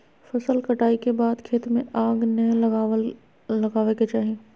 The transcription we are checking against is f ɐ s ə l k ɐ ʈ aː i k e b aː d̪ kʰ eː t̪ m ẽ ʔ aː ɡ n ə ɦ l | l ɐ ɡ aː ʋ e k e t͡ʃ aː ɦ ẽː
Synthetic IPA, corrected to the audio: f ɐ s ə l k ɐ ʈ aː i k e b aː d̪ kʰ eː t̪ m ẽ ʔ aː ɡ n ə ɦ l | l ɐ ɡ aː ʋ e k e t͡ʃ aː ɦ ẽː